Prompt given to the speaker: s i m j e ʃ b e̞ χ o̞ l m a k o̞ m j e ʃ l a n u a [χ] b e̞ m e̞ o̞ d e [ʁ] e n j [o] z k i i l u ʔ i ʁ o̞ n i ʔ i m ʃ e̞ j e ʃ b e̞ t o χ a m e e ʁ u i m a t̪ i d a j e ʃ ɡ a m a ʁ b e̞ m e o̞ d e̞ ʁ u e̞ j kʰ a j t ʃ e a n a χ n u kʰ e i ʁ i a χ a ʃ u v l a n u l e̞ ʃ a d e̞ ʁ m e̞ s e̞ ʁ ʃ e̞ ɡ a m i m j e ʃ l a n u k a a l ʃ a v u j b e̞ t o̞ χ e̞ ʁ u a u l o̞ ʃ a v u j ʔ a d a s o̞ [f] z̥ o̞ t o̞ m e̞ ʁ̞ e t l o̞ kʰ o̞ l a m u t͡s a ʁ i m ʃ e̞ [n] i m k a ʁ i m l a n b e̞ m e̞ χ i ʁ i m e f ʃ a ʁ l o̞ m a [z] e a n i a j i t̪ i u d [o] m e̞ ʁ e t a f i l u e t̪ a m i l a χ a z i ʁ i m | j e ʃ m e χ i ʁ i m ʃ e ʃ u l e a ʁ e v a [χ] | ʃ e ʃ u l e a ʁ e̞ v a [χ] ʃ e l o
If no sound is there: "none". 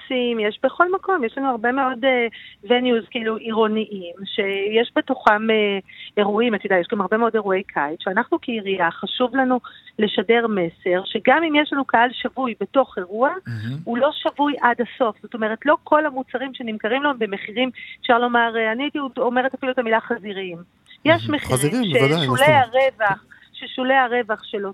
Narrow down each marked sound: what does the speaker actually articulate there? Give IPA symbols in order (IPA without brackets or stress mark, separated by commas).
ʁ, v, u, f, n, ʁ, o, χ, χ